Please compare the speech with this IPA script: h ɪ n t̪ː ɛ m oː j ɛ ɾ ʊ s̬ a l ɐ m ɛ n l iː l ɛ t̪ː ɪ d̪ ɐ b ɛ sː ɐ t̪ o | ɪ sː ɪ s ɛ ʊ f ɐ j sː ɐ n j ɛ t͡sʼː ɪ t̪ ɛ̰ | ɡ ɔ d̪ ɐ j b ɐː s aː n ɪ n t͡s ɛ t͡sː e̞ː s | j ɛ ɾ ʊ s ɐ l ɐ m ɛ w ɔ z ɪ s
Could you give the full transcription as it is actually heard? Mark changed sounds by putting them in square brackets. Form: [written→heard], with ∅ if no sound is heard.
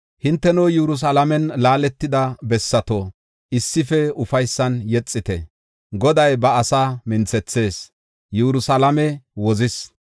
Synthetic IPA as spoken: h ɪ n t̪ː ɛ [m→n] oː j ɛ ɾ ʊ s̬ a l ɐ m ɛ n l [iː→aː] l ɛ t̪ː ɪ d̪ ɐ b ɛ sː ɐ t̪ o | ɪ sː ɪ [s→f] ɛ ʊ f ɐ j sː ɐ n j ɛ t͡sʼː ɪ t̪ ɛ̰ | ɡ ɔ d̪ ɐ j b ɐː s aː [n→m] ɪ n t͡s ɛ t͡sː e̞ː s | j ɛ ɾ ʊ s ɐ l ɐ m ɛ w ɔ z ɪ s

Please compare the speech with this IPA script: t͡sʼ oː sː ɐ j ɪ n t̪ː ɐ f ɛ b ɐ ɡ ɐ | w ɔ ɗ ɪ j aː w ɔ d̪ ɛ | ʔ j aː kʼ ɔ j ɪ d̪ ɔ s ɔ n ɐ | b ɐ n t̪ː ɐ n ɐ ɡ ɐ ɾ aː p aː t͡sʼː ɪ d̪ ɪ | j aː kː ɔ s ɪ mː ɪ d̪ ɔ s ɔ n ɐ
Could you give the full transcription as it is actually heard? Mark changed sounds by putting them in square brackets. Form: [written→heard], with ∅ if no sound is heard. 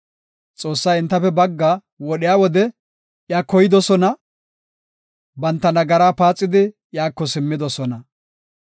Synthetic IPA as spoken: t͡sʼ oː sː ɐ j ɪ n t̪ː ɐ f ɛ b ɐ [ɡ→ɡː] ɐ | w ɔ ɗ ɪ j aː w ɔ d̪ ɛ | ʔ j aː [kʼ→k] ɔ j ɪ d̪ ɔ s ɔ n ɐ | b ɐ n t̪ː ɐ n ɐ ɡ ɐ ɾ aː p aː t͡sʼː ɪ d̪ ɪ | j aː kː ɔ s ɪ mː ɪ d̪ ɔ s ɔ n ɐ

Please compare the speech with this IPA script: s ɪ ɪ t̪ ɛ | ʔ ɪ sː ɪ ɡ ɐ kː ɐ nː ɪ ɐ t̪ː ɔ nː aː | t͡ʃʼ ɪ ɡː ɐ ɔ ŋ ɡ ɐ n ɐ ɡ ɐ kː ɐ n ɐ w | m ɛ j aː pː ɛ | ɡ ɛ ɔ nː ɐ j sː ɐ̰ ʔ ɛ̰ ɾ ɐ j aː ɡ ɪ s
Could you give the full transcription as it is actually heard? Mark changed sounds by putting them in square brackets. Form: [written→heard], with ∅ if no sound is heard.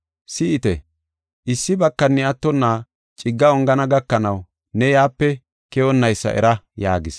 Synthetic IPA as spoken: s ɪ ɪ t̪ ɛ | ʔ ɪ sː ɪ [ɡ→b] ɐ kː ɐ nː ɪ ɐ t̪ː ɔ nː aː | t͡ʃʼ ɪ ɡː ɐ ɔ ŋ ɡ ɐ n ɐ ɡ ɐ kː ɐ n ɐ w | [m→n] ɛ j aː pː ɛ | [ɡ→k] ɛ ɔ nː ɐ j sː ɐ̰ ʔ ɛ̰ ɾ ɐ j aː ɡ ɪ s

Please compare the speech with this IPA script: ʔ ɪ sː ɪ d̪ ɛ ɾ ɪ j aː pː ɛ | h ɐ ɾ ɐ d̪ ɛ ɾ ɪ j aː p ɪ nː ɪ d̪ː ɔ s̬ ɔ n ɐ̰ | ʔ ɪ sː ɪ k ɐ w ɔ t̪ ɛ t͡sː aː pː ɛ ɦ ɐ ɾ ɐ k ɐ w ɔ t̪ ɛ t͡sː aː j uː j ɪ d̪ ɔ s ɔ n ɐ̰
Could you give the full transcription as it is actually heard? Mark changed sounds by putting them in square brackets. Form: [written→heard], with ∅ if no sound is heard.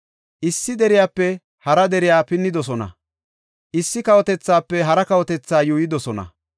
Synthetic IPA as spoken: ʔ ɪ sː ɪ d̪ ɛ ɾ ɪ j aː pː ɛ | h ɐ ɾ ɐ d̪ ɛ ɾ ɪ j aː p ɪ nː ɪ [d̪ː→d̪] ɔ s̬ ɔ n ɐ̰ | ʔ ɪ sː ɪ k ɐ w ɔ t̪ ɛ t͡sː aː pː ɛ ɦ ɐ ɾ ɐ k ɐ w ɔ t̪ ɛ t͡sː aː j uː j ɪ d̪ ɔ s ɔ n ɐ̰

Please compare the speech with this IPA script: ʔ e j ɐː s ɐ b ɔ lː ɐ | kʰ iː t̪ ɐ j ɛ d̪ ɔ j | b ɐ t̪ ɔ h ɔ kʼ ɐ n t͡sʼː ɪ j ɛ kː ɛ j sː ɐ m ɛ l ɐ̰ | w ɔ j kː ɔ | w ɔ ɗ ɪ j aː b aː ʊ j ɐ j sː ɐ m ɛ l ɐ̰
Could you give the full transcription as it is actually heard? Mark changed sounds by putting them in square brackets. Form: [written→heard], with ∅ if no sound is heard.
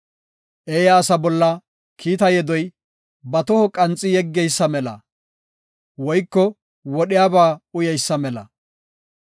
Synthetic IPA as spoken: ʔ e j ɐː s ɐ b ɔ lː ɐ | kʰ iː t̪ ɐ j ɛ d̪ ɔ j | b ɐ t̪ ɔ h ɔ kʼ ɐ n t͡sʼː ɪ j ɛ [kː→ɡː] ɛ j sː ɐ m ɛ l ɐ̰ | w ɔ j kː ɔ | w ɔ ɗ ɪ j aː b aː ʊ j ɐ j sː ɐ m ɛ l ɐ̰

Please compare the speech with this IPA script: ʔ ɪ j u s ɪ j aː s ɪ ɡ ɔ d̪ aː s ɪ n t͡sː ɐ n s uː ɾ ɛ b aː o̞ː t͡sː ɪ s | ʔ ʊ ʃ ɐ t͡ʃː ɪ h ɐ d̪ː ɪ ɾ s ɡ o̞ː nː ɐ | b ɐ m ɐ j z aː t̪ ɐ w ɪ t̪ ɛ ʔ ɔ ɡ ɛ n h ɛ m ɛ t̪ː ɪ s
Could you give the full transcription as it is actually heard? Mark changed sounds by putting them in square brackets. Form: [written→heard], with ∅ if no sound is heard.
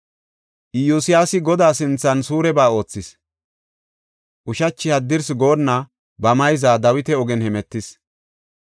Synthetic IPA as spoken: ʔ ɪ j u s ɪ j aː s ɪ ɡ ɔ d̪ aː s ɪ n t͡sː ɐ n s uː ɾ ɛ b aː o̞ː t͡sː ɪ s | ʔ ʊ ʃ ɐ t͡ʃː ɪ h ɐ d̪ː ɪ ɾ s ɡ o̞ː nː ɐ | b ɐ m ɐ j z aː [t̪→d̪] ɐ w ɪ t̪ ɛ [ʔ→∅] ɔ ɡ ɛ n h ɛ m ɛ t̪ː ɪ s

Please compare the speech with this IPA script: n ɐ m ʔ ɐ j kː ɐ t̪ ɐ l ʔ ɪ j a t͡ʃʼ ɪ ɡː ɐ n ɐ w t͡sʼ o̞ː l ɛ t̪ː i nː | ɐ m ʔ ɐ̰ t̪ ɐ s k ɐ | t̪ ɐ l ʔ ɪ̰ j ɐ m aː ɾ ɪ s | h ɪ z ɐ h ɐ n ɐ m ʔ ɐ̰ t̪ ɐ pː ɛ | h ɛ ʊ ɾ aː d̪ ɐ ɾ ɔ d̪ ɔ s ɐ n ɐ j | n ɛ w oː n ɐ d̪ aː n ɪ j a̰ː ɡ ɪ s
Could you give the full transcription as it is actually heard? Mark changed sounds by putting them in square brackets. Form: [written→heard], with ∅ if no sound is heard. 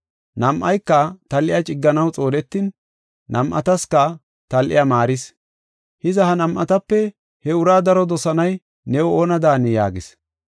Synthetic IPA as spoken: n ɐ m ʔ ɐ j kː ɐ t̪ ɐ l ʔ ɪ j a t͡ʃʼ ɪ ɡː ɐ n ɐ w t͡sʼ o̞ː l ɛ t̪ː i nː | ɐ m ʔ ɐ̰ t̪ ɐ s k ɐ | t̪ ɐ l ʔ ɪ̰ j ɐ m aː ɾ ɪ s | h ɪ z ɐ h ɐ n ɐ m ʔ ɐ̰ t̪ ɐ pː ɛ | h ɛ ʊ ɾ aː d̪ ɐ ɾ ɔ d̪ ɔ s ɐ n ɐ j | n ɛ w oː n ɐ d̪ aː n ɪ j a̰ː ɡ ɪ s

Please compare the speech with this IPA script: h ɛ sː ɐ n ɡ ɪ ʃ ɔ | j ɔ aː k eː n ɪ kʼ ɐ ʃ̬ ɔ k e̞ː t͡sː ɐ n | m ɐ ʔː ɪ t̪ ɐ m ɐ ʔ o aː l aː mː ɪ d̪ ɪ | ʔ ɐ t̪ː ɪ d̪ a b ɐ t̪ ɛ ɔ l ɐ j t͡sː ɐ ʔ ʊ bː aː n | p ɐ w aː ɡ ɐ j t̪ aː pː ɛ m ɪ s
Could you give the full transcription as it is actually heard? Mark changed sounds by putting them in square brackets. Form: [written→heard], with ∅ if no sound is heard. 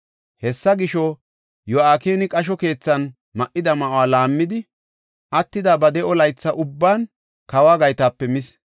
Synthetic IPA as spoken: h ɛ sː ɐ [n→∅] ɡ ɪ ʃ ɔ | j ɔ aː k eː n ɪ kʼ ɐ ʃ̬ ɔ k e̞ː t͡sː ɐ n | m ɐ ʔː ɪ [t̪→d̪] ɐ m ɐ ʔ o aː l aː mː ɪ d̪ ɪ | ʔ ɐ t̪ː ɪ d̪ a b ɐ [t̪→d̪] ɛ ɔ l ɐ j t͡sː ɐ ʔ ʊ bː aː n | [p→k] ɐ w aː ɡ ɐ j t̪ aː pː ɛ m ɪ s

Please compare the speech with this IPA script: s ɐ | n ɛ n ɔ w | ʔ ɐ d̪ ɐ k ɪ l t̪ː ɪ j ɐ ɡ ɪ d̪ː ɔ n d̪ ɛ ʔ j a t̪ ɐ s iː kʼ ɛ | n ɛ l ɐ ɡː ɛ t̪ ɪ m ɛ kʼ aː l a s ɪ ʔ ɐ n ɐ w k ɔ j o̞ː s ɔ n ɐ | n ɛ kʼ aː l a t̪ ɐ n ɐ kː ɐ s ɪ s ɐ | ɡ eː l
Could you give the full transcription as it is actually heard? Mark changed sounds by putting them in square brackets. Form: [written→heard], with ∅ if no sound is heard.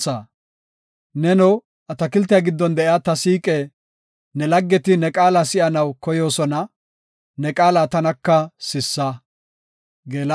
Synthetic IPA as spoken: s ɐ | n ɛ n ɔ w | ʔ ɐ [d̪→t̪] ɐ k ɪ l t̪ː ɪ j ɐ ɡ ɪ d̪ː ɔ n d̪ ɛ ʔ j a t̪ ɐ s iː kʼ ɛ | n ɛ l ɐ ɡː ɛ t̪ ɪ [m→n] ɛ kʼ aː l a s ɪ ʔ ɐ n ɐ w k ɔ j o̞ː s ɔ n ɐ | n ɛ kʼ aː l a t̪ ɐ n ɐ kː ɐ s ɪ [s→sː] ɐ | ɡ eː l

